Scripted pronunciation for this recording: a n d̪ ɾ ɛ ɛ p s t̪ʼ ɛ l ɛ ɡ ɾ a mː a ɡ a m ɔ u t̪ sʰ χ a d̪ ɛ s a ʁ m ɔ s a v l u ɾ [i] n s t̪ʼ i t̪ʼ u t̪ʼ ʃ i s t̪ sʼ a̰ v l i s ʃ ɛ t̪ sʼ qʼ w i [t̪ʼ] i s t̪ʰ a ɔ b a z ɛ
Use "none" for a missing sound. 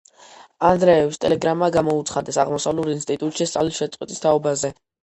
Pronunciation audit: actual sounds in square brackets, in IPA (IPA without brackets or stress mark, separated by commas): i, t̪ʼ